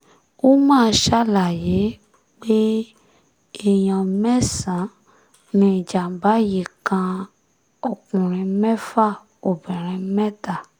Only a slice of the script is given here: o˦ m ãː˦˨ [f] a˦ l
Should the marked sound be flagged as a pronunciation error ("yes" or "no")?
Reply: yes